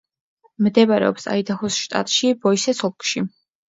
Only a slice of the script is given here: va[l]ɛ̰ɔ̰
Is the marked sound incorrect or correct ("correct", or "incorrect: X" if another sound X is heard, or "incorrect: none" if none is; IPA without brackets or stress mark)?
incorrect: ɾ